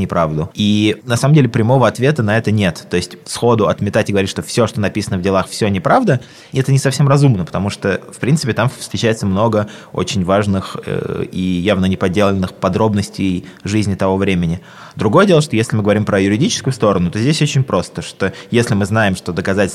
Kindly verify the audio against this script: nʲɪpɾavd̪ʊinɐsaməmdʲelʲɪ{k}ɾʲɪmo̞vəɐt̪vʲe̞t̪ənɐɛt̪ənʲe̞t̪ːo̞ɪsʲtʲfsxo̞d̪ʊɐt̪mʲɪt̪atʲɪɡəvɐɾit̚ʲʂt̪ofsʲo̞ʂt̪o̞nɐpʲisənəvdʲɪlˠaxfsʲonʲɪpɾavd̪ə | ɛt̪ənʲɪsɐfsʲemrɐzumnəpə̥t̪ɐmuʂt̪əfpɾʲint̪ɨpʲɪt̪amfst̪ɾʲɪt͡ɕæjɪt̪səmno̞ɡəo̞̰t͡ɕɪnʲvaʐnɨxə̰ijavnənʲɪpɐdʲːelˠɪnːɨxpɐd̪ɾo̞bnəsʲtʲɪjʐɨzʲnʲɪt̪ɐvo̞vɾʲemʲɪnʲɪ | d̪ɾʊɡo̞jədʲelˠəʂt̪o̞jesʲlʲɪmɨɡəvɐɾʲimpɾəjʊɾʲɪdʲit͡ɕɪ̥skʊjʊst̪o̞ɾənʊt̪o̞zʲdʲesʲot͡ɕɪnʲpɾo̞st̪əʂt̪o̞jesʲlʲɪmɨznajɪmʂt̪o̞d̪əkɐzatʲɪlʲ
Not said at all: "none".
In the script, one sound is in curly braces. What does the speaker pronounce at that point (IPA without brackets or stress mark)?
p